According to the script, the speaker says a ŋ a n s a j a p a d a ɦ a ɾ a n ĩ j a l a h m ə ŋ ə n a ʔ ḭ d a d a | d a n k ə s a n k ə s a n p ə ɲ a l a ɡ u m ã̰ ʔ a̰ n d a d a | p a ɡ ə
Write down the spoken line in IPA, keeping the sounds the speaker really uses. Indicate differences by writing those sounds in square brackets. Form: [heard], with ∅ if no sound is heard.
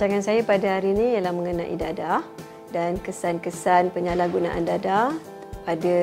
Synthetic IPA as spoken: a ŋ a n s a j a p a d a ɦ a ɾ [i] n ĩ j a l a h m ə ŋ ə n a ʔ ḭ d a d a | d a n k ə s a n k ə s a n p ə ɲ a l a ɡ u [n] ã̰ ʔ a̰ n d a d a | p a [d] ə